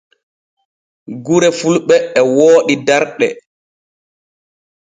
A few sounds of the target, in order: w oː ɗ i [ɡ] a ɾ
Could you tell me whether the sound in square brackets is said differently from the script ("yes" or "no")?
yes